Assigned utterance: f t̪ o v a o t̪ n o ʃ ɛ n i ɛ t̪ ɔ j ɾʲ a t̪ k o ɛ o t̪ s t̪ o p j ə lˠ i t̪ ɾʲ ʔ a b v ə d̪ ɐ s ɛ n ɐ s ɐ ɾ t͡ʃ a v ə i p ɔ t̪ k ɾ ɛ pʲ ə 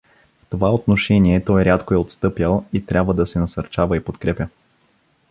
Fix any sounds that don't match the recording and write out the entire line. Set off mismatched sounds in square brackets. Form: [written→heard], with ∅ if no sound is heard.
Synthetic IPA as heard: f t̪ o v a o t̪ n o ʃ ɛ n i ɛ t̪ ɔ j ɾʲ a t̪ k o ɛ o t̪ s t̪ [o→ɤ] p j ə lˠ i t̪ ɾʲ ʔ a b v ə d̪ ɐ s ɛ n ɐ s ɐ ɾ t͡ʃ a v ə i p [ɔ→o] t̪ k ɾ ɛ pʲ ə